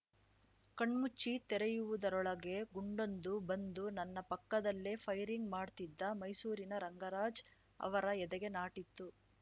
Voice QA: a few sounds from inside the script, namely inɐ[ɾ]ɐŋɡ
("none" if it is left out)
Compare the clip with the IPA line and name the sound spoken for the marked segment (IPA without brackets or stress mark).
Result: ɾ